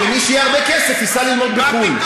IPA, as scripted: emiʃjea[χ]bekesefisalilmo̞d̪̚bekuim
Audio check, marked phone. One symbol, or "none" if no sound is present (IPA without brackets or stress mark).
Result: ʁ